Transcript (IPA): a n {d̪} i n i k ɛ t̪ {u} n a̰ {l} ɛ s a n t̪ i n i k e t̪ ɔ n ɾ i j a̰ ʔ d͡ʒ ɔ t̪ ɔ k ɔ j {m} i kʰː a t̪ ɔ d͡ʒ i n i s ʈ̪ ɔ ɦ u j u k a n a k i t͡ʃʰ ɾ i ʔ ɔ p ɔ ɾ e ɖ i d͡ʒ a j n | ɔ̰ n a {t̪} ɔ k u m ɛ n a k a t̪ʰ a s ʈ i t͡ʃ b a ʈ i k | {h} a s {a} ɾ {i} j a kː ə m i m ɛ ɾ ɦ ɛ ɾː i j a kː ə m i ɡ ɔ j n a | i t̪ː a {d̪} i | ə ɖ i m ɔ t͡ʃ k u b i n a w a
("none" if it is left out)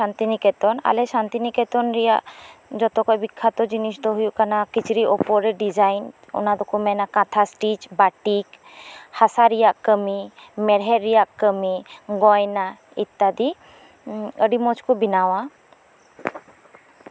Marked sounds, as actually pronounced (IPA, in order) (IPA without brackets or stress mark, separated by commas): t̪, ɔ, l, b, d̪, h, a, i, d̪